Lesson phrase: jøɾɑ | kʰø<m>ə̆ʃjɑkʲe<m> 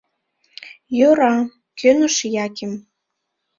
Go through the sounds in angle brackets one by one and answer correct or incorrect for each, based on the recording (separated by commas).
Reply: incorrect, correct